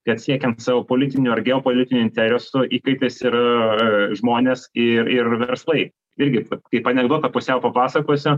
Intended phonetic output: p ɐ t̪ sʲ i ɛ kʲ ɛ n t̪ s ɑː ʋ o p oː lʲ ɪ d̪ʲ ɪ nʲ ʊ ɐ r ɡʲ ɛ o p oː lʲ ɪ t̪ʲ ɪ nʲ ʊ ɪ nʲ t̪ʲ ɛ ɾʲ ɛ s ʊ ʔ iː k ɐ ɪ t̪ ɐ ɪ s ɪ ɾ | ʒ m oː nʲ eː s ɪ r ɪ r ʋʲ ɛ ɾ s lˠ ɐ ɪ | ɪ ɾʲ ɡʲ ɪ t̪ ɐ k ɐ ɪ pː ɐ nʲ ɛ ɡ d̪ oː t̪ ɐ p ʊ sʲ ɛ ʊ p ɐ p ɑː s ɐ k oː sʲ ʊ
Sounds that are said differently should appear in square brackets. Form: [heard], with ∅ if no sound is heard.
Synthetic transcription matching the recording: [k] ɐ t̪ sʲ i ɛ kʲ ɛ n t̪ s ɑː ʋ o p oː lʲ ɪ [t̪ʲ] ɪ nʲ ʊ ɐ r ɡʲ ɛ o p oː lʲ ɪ t̪ʲ ɪ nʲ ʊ ɪ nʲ t̪ʲ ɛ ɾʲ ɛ s ʊ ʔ iː k ɐ ɪ t̪ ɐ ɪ s ɪ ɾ | ʒ m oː nʲ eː s ɪ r ɪ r ʋʲ ɛ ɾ s lˠ ɐ ɪ | ɪ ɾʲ ɡʲ ɪ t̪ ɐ k ɐ ɪ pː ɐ nʲ ɛ ɡ d̪ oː t̪ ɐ p ʊ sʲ ɛ ʊ p ɐ p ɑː s ɐ k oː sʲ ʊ